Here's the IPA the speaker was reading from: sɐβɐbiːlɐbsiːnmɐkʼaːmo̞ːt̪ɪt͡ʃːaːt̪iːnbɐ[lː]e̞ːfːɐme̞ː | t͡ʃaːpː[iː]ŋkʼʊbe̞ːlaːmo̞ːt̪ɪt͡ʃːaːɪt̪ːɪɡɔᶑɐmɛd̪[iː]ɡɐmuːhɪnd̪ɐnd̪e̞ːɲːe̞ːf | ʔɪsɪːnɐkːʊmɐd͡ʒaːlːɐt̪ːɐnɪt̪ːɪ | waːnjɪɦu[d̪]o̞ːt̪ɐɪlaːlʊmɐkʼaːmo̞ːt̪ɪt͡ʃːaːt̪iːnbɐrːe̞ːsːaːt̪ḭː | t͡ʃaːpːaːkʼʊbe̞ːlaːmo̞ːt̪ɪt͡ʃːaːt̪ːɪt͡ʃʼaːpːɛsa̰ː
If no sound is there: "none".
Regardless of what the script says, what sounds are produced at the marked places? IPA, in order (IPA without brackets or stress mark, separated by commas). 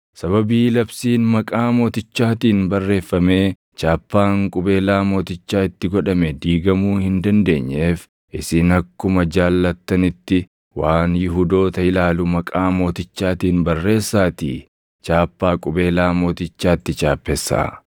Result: rː, aː, iː, d̪